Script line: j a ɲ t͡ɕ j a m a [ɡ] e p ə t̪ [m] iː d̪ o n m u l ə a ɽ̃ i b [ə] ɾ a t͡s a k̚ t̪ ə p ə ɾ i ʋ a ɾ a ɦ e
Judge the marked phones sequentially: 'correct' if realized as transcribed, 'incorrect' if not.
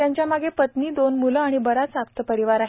correct, incorrect: n, correct

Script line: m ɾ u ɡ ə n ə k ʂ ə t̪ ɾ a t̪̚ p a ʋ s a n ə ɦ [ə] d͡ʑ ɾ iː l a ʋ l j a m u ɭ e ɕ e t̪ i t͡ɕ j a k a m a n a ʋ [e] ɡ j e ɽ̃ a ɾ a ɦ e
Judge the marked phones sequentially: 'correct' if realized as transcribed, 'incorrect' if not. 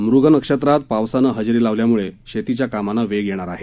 correct, correct

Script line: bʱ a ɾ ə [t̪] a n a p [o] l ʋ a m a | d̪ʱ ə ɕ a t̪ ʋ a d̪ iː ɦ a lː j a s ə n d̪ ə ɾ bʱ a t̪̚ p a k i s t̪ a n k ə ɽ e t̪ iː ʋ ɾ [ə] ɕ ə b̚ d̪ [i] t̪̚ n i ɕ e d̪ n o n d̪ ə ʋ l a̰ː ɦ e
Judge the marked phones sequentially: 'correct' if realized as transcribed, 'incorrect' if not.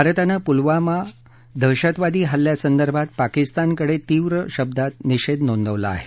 correct, incorrect: u, correct, incorrect: a

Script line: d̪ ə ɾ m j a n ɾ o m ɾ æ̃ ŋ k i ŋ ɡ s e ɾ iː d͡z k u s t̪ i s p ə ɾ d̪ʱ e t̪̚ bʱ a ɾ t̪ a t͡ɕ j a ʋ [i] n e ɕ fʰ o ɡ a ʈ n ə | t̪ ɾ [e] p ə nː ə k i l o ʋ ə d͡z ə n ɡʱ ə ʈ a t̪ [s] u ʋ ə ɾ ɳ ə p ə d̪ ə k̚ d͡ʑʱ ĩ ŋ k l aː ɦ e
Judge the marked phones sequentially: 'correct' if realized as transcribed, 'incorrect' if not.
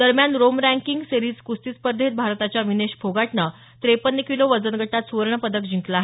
correct, correct, correct

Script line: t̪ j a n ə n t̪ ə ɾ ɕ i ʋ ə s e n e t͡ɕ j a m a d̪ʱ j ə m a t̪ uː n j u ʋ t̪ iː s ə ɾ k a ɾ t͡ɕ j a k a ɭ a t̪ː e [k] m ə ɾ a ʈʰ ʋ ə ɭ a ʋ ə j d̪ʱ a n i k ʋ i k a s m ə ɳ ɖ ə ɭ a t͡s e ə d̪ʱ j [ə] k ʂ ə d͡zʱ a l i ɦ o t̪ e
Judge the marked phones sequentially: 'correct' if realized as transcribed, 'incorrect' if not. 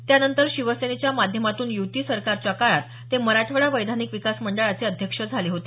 incorrect: none, correct

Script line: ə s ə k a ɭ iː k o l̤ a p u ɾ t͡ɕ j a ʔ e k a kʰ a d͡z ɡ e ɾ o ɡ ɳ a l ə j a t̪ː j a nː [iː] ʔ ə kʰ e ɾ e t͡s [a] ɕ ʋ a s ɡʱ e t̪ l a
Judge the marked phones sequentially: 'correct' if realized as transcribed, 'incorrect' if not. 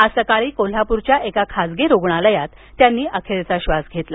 correct, correct

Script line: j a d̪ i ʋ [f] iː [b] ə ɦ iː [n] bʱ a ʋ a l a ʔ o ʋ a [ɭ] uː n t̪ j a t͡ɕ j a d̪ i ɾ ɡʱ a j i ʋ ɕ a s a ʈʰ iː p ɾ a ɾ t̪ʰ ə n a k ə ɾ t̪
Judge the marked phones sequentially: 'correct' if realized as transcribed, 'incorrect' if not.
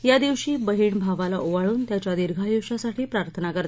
incorrect: ɕ, correct, incorrect: ɳ, correct

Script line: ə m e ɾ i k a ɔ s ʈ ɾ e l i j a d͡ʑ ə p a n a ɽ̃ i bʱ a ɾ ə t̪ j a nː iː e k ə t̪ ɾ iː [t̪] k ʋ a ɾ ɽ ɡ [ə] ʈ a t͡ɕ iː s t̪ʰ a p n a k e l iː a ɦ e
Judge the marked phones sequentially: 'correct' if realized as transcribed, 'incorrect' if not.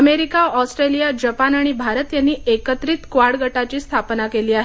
correct, correct

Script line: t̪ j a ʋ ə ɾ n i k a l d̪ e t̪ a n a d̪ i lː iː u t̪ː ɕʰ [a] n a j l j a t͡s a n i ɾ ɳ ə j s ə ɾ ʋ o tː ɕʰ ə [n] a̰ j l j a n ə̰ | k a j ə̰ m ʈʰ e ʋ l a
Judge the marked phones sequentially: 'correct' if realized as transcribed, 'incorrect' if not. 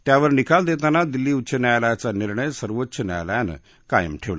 incorrect: ə, correct

